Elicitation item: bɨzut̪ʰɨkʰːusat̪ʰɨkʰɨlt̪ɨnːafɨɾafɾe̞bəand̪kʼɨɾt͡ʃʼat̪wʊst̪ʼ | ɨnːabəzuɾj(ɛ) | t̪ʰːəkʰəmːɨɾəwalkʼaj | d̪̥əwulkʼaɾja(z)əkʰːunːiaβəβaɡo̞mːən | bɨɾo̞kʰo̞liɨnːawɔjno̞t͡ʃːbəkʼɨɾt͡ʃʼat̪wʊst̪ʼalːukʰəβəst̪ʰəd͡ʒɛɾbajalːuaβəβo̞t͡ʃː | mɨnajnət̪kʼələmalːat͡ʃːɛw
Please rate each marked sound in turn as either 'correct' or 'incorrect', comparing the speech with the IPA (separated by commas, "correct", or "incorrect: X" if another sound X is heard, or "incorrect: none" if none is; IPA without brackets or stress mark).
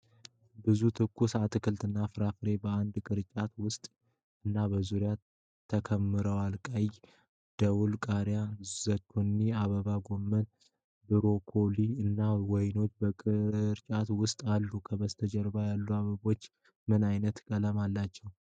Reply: incorrect: a, correct